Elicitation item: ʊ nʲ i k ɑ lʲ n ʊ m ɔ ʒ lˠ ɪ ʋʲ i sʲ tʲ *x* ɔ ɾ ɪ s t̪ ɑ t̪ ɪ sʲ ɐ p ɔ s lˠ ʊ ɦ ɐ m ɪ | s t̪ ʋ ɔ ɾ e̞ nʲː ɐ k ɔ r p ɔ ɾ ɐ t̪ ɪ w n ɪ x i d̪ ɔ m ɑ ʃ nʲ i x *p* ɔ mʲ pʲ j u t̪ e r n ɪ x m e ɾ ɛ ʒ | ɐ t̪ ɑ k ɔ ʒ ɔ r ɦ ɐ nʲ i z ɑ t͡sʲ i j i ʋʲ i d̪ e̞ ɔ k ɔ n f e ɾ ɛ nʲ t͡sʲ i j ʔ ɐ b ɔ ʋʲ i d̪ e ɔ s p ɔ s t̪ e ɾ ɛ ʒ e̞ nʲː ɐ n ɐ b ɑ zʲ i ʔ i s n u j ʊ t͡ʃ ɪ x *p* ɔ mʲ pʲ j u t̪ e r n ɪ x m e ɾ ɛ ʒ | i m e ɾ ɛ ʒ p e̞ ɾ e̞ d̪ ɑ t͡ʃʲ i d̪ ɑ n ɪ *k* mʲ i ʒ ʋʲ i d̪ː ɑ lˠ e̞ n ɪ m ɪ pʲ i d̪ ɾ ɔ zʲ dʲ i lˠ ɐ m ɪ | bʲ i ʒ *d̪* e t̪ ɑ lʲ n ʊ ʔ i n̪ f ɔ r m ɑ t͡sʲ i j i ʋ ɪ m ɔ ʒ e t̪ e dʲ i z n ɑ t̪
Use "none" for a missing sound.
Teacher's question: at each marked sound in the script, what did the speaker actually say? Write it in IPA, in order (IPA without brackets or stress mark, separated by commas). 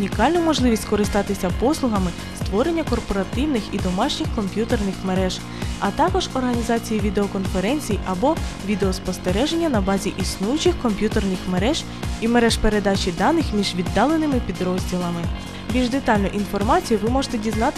k, k, k, x, d̪